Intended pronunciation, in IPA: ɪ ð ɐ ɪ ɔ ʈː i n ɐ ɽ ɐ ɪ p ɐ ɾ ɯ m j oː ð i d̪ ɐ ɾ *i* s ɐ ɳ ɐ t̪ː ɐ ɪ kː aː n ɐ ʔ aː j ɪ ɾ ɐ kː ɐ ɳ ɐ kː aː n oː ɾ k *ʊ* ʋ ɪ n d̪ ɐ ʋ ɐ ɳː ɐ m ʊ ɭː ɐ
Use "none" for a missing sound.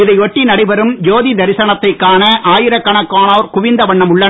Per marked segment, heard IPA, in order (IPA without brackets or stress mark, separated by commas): ɪ, ʊ